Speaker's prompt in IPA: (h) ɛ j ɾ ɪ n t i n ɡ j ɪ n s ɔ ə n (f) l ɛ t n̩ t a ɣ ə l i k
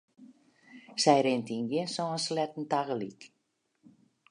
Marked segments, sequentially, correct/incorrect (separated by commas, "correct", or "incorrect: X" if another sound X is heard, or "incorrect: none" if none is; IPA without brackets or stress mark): incorrect: s, incorrect: s